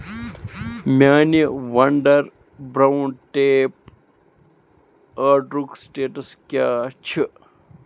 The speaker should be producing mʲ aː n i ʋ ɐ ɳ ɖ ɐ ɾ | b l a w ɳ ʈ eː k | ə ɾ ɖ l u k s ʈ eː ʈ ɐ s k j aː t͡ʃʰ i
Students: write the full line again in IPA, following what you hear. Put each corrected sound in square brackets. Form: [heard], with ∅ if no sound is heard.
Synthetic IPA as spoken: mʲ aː n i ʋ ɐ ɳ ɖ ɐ ɾ | b [ɾ] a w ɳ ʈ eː [p] | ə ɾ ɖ [ɾ] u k s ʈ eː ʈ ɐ s k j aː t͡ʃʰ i